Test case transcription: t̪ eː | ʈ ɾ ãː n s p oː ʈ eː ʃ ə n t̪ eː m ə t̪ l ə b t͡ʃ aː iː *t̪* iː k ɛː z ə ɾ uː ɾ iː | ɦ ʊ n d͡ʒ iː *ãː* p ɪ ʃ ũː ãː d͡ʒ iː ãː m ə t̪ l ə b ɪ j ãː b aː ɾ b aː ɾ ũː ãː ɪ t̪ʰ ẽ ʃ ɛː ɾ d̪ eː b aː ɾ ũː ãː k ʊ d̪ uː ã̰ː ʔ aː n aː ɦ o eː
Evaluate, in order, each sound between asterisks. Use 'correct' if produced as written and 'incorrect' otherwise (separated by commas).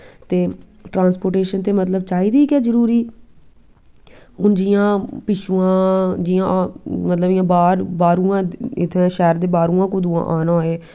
incorrect, correct